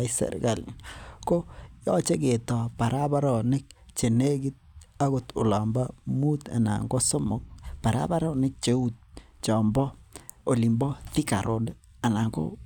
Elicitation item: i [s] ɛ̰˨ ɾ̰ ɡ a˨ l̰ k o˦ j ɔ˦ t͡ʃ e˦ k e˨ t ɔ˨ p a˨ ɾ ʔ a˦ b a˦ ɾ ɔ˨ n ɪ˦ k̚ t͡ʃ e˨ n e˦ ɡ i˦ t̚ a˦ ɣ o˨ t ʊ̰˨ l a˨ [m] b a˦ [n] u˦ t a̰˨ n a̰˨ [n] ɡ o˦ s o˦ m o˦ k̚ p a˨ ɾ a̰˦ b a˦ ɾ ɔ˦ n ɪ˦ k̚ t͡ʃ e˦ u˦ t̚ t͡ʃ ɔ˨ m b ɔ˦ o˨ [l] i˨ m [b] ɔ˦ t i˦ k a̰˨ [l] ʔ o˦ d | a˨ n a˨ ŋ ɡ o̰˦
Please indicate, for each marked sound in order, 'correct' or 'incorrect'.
correct, correct, incorrect: m, incorrect: ŋ, correct, correct, incorrect: ɾ

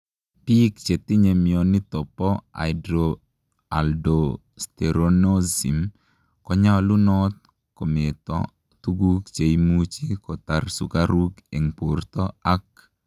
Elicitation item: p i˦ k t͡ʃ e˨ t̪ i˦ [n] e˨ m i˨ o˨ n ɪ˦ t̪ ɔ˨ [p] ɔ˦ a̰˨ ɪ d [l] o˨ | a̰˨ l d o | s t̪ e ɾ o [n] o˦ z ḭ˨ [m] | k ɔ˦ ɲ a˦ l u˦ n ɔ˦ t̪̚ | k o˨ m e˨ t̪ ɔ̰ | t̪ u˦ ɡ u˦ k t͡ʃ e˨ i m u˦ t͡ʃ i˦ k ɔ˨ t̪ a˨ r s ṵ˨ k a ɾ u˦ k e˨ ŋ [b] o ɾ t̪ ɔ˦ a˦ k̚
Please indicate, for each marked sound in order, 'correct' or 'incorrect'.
incorrect: ɲ, correct, incorrect: ɾ, correct, correct, incorrect: p

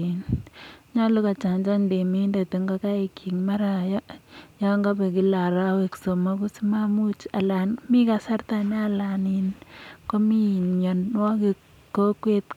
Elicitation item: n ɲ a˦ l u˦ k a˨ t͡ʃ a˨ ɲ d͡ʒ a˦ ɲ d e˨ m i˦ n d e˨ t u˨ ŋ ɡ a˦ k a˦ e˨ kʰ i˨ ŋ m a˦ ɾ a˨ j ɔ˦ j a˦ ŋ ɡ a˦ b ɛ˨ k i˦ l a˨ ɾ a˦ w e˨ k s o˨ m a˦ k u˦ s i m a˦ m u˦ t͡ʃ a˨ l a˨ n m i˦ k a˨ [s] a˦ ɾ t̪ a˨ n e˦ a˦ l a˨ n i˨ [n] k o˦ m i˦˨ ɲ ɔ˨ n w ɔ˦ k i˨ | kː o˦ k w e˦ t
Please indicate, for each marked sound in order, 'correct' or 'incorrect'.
correct, correct

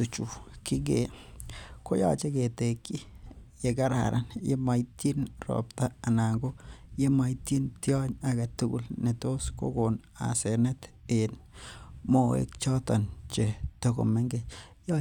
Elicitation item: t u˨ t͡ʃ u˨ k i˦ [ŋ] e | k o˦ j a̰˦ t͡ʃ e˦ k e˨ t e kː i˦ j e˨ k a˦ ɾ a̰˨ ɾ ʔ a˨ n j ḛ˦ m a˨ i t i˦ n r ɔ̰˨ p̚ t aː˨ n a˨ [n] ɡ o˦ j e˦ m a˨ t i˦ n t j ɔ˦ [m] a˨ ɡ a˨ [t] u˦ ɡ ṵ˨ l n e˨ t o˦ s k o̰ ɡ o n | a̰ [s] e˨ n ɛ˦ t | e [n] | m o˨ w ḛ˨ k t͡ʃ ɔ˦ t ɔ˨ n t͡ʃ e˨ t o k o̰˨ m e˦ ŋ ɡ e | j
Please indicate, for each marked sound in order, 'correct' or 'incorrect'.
incorrect: ɡ, incorrect: ŋ, incorrect: ɲ, correct, correct, correct

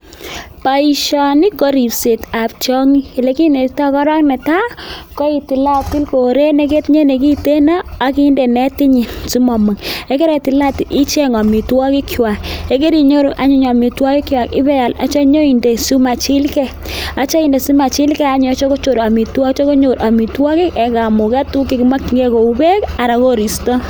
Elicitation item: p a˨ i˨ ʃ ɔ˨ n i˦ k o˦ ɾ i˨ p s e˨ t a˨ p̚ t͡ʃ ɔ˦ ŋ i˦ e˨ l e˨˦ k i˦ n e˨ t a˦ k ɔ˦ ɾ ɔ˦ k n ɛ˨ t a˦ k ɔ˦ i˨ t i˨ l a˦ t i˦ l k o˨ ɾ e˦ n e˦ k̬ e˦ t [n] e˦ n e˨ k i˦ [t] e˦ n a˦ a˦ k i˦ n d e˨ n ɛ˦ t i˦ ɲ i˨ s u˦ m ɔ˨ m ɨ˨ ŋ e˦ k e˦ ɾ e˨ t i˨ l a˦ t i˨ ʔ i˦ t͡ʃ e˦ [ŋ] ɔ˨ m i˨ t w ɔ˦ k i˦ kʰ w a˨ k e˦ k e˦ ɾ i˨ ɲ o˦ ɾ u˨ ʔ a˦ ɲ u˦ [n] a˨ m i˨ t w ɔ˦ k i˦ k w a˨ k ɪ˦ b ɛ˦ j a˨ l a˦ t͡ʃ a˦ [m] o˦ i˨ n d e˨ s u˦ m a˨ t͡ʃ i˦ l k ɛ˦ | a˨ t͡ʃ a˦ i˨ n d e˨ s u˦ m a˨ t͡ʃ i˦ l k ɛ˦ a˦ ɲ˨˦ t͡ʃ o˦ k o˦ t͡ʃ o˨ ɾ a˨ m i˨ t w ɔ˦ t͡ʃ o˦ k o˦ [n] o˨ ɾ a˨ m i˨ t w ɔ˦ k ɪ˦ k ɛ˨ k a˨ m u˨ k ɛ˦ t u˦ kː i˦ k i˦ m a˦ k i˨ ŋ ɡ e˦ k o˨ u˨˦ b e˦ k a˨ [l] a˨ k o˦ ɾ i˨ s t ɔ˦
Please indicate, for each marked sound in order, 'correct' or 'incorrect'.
incorrect: ɲ, correct, correct, incorrect: ɲ, incorrect: ɲ, incorrect: ɲ, incorrect: ɾ

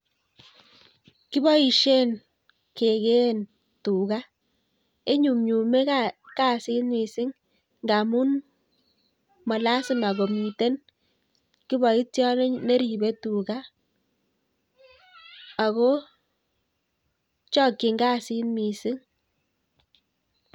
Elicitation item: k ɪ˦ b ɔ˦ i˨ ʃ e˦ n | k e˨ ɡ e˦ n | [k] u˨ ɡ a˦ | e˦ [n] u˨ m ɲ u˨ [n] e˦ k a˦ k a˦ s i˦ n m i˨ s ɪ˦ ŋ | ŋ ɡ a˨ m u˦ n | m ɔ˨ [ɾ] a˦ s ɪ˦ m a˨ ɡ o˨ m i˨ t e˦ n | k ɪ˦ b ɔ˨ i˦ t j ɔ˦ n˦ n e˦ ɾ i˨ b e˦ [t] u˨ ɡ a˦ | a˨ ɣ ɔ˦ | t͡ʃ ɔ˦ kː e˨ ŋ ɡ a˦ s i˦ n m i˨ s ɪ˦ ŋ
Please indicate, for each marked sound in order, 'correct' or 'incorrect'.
incorrect: t, incorrect: ɲ, incorrect: m, incorrect: l, correct

